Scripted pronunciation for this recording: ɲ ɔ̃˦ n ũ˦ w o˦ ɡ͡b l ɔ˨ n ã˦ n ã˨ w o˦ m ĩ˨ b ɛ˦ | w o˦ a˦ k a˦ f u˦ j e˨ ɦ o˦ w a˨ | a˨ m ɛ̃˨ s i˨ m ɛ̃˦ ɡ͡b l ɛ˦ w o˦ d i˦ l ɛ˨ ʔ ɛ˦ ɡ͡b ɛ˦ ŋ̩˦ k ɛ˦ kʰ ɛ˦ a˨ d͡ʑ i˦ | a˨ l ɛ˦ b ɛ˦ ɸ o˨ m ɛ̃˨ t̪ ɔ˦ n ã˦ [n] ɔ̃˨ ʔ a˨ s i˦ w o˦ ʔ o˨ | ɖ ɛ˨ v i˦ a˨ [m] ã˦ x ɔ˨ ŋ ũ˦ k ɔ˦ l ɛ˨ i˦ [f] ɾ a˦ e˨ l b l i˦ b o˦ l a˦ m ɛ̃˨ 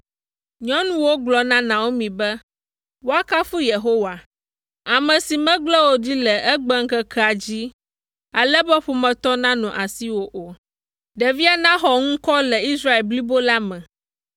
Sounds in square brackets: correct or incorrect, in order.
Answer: correct, incorrect: n, incorrect: s

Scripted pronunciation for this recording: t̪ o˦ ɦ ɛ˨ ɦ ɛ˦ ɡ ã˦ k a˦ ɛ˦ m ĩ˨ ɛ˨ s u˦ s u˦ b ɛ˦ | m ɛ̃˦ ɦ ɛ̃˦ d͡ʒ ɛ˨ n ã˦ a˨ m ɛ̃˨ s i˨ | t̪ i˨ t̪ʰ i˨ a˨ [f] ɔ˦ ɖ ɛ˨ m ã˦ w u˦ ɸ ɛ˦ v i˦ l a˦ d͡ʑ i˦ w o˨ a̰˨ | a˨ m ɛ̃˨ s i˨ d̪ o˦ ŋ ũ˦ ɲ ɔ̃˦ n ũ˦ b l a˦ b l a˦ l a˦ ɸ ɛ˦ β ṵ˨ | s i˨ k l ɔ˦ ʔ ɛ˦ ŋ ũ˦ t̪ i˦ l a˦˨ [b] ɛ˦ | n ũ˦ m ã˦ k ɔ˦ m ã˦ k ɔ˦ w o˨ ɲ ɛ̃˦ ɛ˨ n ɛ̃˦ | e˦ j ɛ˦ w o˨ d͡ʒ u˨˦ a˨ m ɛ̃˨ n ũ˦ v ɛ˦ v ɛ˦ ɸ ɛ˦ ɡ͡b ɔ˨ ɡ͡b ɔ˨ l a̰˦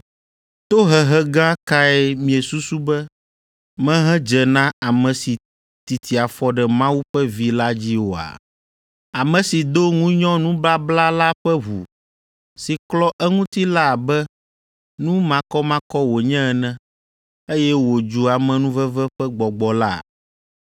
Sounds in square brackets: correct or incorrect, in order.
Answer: correct, correct

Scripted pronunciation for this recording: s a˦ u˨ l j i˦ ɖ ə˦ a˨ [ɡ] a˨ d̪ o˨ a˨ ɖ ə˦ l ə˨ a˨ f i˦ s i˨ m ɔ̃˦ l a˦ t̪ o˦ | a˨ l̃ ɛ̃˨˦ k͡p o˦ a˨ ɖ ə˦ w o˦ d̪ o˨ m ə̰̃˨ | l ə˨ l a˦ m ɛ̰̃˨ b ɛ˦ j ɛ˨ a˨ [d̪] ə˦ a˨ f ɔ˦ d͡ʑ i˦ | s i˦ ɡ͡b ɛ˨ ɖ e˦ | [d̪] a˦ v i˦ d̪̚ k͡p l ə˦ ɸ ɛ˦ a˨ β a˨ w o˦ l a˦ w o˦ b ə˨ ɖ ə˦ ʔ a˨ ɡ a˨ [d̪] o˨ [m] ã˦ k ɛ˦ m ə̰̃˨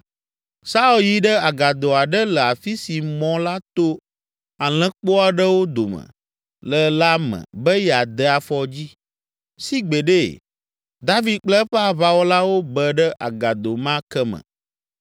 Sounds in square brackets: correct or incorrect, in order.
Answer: correct, correct, correct, correct, correct

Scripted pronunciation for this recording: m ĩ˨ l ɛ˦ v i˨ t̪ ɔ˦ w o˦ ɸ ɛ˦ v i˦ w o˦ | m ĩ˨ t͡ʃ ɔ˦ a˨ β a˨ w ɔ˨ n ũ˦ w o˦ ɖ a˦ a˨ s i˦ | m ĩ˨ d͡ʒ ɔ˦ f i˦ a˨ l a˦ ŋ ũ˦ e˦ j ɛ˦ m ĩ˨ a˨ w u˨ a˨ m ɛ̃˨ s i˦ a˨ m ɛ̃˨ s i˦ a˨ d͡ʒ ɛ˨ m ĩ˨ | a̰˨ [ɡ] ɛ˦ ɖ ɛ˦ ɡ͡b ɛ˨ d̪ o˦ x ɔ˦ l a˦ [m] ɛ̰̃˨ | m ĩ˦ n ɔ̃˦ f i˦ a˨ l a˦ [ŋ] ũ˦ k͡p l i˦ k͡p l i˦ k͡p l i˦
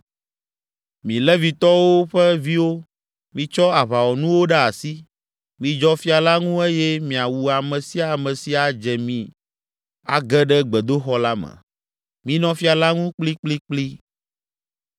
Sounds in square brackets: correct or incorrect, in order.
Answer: correct, correct, correct

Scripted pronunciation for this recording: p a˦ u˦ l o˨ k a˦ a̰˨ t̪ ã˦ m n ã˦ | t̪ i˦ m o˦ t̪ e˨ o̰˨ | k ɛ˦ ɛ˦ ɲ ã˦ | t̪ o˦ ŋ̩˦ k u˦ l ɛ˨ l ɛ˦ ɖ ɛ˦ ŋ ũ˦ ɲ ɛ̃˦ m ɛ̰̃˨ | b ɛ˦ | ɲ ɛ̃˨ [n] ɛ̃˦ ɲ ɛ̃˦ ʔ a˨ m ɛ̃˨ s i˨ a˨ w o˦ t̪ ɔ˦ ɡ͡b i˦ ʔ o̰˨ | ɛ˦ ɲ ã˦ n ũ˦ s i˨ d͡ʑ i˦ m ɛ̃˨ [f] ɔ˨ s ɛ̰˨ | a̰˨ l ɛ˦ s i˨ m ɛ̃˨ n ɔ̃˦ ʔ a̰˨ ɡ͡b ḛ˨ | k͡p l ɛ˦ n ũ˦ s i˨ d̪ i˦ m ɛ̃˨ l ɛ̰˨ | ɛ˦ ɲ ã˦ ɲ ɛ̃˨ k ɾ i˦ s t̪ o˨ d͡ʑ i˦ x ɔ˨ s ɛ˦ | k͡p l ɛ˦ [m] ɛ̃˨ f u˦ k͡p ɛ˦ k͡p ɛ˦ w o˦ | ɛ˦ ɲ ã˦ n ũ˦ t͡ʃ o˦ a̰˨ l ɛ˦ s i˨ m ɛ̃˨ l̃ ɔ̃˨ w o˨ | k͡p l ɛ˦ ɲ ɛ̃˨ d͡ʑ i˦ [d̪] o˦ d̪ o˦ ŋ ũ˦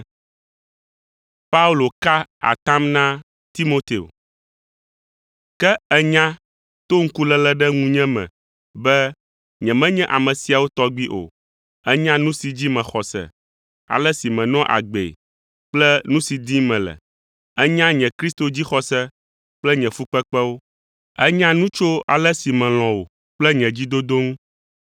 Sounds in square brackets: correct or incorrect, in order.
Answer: incorrect: m, incorrect: x, incorrect: ɲ, correct

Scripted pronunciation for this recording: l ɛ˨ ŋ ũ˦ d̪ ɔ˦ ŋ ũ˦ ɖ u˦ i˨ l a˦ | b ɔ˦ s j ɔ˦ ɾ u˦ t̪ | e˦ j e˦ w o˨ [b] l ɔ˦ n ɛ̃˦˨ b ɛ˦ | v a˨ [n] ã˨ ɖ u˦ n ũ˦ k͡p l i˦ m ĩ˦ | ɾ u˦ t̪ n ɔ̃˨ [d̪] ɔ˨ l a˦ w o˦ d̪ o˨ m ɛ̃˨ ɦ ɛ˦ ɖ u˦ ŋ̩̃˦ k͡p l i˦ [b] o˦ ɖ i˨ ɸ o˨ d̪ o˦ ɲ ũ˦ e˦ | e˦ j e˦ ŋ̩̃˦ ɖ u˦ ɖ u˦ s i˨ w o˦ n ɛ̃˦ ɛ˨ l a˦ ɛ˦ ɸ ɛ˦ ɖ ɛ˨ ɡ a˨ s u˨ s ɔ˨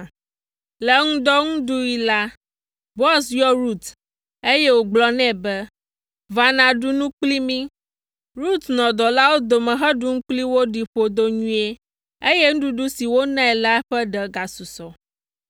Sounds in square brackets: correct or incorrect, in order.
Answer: incorrect: ɡ͡b, correct, correct, incorrect: w

